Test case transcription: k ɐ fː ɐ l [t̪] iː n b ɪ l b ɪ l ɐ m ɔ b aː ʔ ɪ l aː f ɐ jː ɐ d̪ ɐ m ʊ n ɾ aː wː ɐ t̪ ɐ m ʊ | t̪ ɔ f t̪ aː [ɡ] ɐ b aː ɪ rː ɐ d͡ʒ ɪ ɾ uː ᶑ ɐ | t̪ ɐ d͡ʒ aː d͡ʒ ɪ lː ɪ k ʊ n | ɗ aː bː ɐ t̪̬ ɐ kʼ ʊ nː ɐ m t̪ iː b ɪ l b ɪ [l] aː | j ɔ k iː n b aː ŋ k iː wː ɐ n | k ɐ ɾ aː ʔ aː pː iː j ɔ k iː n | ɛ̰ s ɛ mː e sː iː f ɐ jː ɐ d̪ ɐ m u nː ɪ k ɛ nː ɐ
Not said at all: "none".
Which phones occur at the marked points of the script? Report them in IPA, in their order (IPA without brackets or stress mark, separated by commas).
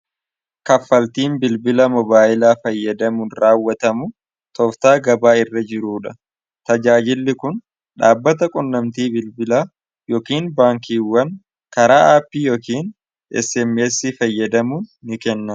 t̪, ɡ, l